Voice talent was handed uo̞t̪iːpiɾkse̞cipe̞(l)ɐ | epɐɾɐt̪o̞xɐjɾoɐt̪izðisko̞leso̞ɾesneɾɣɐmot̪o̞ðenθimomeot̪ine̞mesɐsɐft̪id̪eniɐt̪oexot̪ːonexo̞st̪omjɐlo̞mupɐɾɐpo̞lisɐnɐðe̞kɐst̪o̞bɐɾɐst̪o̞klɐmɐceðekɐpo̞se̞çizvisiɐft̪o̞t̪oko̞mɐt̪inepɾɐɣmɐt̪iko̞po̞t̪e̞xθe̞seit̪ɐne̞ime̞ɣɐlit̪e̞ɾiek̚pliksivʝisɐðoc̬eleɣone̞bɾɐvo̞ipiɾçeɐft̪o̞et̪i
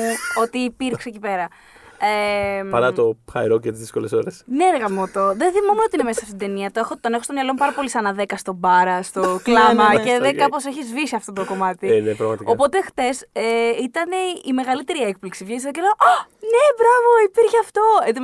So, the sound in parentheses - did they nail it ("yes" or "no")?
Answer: no